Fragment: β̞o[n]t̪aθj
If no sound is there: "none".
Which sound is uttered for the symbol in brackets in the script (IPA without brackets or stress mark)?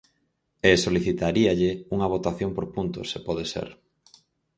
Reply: none